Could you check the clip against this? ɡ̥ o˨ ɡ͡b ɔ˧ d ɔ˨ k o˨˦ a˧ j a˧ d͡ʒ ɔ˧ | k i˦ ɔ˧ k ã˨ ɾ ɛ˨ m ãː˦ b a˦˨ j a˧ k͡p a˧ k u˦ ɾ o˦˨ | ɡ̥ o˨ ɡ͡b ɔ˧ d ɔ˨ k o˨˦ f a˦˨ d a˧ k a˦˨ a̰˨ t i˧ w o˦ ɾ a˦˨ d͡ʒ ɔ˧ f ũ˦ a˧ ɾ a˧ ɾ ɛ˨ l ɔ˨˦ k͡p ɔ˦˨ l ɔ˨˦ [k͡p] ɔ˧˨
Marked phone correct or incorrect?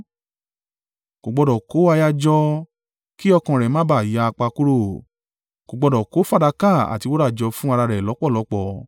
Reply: correct